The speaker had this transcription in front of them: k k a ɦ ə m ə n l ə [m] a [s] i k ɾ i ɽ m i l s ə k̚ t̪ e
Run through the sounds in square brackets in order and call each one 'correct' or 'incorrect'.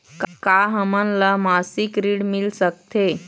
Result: correct, correct

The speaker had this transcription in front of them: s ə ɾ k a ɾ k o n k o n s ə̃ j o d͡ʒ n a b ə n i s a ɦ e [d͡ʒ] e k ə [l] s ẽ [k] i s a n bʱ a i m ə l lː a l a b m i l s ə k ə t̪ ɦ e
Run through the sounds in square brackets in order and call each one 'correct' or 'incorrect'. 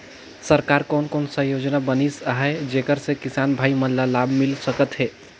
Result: correct, incorrect: ɾ, correct

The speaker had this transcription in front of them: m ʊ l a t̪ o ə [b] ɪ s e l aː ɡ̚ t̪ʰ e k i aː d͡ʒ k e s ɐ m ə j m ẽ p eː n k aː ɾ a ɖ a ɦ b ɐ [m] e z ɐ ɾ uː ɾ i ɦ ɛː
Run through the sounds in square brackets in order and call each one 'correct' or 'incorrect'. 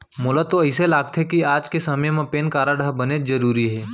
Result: incorrect: none, incorrect: n

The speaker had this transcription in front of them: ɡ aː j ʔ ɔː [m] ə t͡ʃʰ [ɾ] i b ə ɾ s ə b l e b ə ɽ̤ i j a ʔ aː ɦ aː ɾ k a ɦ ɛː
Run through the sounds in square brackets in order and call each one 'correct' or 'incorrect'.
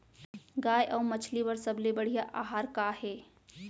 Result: correct, incorrect: l

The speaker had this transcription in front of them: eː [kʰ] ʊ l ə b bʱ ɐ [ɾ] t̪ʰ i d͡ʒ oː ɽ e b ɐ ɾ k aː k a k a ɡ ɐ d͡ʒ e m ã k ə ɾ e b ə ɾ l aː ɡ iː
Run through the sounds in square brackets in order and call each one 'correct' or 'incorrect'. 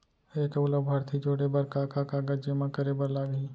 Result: incorrect: k, correct

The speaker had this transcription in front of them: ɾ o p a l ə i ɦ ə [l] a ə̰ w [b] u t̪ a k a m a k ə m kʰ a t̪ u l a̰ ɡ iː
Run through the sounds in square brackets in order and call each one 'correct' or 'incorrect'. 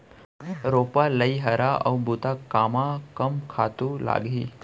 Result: incorrect: ɾ, correct

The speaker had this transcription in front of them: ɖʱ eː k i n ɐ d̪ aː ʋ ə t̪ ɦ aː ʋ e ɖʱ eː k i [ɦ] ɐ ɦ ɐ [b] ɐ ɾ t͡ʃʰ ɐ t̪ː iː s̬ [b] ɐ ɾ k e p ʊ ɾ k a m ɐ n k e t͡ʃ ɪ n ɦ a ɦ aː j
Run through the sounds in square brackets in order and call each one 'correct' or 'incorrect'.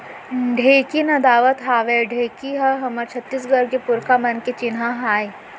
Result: correct, incorrect: m, incorrect: ɡ

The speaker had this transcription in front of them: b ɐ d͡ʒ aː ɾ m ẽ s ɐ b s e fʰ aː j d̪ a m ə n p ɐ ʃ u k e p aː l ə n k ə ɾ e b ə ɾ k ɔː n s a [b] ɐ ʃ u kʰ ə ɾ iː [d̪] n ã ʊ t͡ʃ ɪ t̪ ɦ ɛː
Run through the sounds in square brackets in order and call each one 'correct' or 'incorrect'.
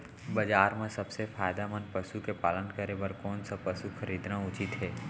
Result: incorrect: p, correct

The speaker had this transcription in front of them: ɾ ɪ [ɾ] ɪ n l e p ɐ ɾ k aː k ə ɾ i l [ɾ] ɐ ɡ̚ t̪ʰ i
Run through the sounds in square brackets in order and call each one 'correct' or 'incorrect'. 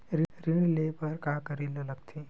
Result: correct, incorrect: l

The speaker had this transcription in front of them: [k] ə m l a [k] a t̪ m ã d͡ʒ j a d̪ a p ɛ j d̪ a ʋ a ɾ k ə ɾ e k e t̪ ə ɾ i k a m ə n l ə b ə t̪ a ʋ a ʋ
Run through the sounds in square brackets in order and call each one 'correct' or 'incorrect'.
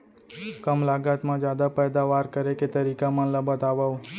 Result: correct, incorrect: ɡ

